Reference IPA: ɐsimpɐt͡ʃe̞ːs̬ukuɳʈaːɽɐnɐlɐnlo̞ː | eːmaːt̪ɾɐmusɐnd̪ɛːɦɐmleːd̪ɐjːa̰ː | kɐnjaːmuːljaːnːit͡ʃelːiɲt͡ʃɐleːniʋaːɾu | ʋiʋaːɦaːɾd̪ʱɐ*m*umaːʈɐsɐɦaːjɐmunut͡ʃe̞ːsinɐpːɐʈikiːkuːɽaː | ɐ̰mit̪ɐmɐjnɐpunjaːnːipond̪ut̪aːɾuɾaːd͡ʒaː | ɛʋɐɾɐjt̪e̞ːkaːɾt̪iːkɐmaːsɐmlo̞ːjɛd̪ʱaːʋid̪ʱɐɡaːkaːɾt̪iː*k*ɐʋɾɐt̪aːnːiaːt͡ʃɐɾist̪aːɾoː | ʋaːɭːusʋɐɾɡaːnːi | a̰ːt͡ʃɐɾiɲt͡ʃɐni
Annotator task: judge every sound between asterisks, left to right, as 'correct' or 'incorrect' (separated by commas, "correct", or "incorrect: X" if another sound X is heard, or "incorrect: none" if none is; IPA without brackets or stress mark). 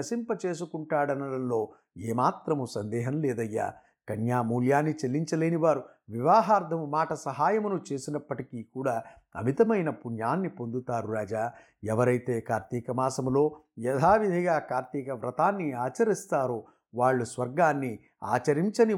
correct, correct